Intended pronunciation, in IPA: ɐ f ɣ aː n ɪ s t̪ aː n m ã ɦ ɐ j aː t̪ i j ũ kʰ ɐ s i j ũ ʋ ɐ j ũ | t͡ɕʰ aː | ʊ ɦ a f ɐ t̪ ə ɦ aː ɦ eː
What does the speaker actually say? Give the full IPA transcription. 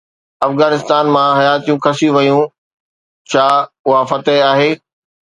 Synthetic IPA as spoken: ɐ f ɣ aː n ɪ s t̪ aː n m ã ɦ ɐ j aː t̪ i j ũ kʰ ɐ s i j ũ ʋ ɐ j ũ | t͡ɕʰ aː | ʊ ɦ a f ɐ t̪ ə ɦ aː ɦ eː